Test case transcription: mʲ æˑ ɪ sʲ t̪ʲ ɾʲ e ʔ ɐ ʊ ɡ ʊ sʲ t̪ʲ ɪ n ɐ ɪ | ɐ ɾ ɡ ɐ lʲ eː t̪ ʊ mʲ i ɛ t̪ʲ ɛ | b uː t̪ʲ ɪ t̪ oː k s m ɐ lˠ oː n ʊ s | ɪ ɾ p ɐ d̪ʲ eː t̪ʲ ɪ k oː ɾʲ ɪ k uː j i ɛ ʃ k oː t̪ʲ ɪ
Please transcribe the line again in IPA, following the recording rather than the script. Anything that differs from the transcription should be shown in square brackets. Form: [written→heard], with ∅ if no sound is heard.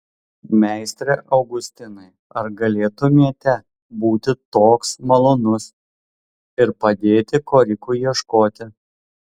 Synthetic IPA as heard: mʲ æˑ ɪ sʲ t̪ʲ ɾʲ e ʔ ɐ ʊ ɡ ʊ sʲ t̪ʲ ɪ n ɐ ɪ | ɐ ɾ ɡ ɐ lʲ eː t̪ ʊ mʲ i ɛ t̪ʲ ɛ | b uː t̪ʲ ɪ t̪ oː k s m ɐ lˠ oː n ʊ s | ɪ ɾ p ɐ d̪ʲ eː t̪ʲ ɪ k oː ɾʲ ɪ k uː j i ɛ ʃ k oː t̪ʲ ɪ